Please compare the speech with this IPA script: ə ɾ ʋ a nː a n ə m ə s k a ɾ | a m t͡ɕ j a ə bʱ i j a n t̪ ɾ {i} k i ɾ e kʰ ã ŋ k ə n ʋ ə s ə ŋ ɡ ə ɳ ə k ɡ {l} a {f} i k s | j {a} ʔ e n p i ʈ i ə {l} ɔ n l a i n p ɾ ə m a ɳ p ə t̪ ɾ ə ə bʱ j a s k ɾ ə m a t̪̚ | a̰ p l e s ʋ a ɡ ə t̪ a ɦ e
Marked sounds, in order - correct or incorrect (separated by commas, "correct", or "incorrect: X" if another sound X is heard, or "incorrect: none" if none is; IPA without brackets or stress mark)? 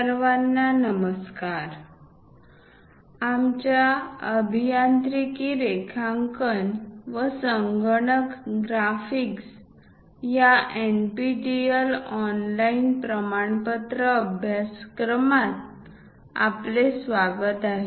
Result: correct, incorrect: ɾ, correct, correct, correct